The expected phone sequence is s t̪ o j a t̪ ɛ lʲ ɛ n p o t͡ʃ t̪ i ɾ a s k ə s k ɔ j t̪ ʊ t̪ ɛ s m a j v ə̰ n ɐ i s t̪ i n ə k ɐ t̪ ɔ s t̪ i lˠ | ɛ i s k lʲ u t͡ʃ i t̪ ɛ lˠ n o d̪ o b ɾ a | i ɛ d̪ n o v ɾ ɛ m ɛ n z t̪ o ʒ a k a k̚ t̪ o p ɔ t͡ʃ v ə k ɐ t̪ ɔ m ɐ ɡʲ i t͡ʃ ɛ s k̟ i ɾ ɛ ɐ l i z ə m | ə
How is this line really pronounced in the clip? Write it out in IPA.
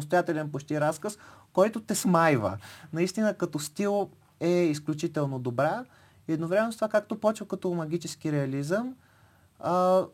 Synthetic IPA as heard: s t̪ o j a t̪ ɛ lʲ ɛ n p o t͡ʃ t̪ i ɾ a s k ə s k ɔ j t̪ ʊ t̪ ɛ s m a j v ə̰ n ɐ i s t̪ i n ə k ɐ t̪ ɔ s t̪ i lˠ | ɛ i s k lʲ u t͡ʃ i t̪ ɛ lˠ n o d̪ o b ɾ a | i ɛ d̪ n o v ɾ ɛ m ɛ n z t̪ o v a k a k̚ t̪ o p ɔ t͡ʃ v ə k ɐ t̪ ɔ m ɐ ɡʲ i t͡ʃ ɛ s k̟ i ɾ ɛ ɐ l i z ə m | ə